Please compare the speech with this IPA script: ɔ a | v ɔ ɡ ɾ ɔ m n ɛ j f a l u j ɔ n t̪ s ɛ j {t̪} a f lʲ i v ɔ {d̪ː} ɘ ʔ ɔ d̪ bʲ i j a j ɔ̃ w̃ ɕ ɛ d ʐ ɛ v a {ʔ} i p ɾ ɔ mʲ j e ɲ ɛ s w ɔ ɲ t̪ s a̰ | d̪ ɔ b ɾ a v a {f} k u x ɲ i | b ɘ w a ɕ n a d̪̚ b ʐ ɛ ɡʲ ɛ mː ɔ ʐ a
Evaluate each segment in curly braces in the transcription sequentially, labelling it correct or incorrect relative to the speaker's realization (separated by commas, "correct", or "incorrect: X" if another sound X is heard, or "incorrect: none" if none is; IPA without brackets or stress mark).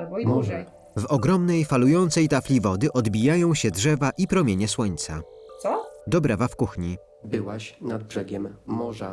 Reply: correct, incorrect: d̪, correct, correct